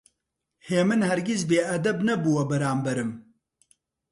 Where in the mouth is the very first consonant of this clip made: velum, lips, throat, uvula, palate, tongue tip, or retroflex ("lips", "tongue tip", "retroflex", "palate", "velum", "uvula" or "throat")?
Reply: throat